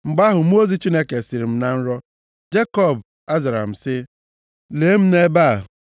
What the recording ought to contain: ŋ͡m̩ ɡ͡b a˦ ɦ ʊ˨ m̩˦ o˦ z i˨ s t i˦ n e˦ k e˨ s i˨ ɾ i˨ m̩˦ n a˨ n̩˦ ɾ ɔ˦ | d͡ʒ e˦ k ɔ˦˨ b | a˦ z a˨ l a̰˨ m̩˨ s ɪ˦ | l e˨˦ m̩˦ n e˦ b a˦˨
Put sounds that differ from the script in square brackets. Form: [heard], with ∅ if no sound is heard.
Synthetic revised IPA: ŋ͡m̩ ɡ͡b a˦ ɦ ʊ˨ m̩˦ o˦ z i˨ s [t͡ʃ] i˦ n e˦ k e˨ s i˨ ɾ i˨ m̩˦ n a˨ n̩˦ ɾ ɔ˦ | d͡ʒ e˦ k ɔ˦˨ b | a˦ z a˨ [ɾ] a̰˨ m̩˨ s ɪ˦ | l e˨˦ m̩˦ n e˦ b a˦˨